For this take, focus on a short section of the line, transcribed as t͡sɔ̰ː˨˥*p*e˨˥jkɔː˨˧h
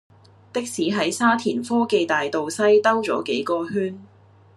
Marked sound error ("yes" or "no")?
yes